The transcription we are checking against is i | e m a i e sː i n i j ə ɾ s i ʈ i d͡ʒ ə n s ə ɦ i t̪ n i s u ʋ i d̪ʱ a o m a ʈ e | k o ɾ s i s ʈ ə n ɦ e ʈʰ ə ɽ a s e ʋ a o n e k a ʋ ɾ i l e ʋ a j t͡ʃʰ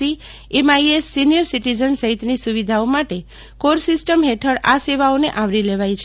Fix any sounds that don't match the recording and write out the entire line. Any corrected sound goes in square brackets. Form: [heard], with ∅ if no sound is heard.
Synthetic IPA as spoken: i | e m a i e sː i n i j ə ɾ s i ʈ i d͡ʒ ə n s ə ɦ i t̪ n i s u ʋ i d̪ʱ a o m a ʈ e | k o ɾ s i s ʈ ə [m] ɦ e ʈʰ ə ɽ a s e ʋ a o n e [ʔ] a ʋ ɾ i l e ʋ a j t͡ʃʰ